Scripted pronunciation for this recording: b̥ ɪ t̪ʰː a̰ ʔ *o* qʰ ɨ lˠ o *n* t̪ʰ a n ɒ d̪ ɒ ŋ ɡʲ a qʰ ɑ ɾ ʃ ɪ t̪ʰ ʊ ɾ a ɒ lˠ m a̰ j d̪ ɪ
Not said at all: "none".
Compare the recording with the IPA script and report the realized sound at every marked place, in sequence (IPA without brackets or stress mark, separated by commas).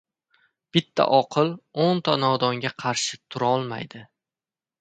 ɒ, n